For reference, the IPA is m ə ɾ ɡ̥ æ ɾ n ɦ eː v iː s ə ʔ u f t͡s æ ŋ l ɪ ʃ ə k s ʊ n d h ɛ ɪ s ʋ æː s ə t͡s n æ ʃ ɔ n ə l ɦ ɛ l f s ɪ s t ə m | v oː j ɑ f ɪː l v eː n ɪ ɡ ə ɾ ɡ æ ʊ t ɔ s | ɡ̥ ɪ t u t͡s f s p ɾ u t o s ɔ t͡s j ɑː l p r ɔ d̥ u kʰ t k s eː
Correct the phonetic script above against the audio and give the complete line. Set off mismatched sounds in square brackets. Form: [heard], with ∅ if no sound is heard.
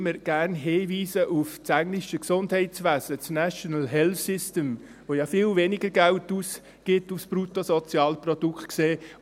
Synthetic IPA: m ə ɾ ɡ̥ æ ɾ n ɦ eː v iː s ə ʔ u f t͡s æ ŋ l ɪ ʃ ə k s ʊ n d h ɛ ɪ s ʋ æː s ə t͡s n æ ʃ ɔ n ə l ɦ ɛ l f s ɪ s t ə m | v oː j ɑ f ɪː l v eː n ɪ ɡ ə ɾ ɡ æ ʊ t [u] s | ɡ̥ ɪ t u [∅] f s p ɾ u t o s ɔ t͡s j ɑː l p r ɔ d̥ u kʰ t k s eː